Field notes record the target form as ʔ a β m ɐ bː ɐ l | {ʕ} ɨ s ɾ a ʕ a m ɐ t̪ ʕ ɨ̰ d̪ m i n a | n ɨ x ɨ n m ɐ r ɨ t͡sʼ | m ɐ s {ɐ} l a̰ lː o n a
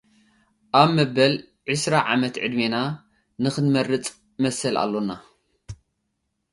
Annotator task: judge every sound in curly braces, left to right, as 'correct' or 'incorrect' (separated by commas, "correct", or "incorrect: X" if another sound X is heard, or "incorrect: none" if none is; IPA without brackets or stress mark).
correct, correct